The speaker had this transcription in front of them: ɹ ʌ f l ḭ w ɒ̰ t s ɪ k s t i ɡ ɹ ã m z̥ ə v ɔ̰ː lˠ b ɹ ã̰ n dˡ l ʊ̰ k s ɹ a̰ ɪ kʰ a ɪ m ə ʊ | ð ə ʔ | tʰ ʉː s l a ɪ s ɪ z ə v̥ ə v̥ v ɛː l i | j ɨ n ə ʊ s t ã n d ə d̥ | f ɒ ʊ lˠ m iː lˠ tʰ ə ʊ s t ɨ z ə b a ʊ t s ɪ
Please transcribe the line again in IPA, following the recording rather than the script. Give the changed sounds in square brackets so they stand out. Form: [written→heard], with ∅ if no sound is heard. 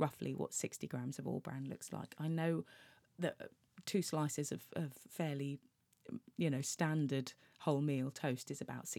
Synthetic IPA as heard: ɹ ʌ f l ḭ w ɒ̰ t s ɪ k s t i ɡ ɹ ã m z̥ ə v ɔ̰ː lˠ b ɹ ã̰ n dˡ l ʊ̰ k s [ɹ→l] a̰ ɪ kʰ a ɪ [m→n] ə ʊ | ð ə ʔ | tʰ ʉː s l a ɪ s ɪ z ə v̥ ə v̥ [v→f] ɛː l i | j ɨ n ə ʊ s t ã n d ə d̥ | [f→h] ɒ ʊ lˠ m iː lˠ tʰ ə ʊ s t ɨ z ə b a ʊ t s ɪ